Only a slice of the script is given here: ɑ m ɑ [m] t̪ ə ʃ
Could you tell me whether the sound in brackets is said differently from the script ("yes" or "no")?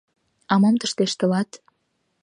no